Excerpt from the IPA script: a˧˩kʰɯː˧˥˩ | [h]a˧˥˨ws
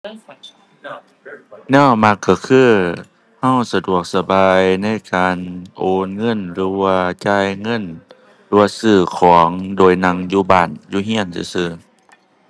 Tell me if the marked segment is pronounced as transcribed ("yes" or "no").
yes